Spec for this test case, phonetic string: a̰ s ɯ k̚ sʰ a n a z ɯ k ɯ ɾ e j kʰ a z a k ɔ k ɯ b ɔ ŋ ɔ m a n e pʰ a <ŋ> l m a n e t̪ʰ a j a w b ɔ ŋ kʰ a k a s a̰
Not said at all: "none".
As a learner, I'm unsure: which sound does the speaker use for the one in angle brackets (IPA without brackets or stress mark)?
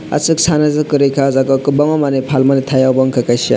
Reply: none